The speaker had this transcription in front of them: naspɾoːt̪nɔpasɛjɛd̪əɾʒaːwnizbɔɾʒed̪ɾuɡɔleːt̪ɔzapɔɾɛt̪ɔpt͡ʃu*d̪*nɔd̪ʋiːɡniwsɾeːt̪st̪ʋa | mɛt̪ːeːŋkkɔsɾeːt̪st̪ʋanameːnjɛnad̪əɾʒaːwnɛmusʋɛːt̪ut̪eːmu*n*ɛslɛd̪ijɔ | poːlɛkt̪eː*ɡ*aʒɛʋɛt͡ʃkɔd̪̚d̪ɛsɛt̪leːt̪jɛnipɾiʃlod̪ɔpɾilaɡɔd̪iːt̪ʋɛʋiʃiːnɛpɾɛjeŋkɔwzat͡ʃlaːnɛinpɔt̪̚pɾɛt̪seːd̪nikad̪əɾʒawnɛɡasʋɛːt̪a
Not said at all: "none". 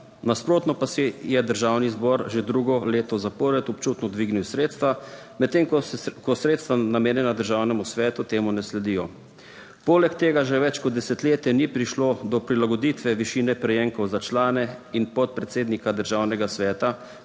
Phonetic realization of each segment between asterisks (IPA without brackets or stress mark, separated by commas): t̪, n, ɡ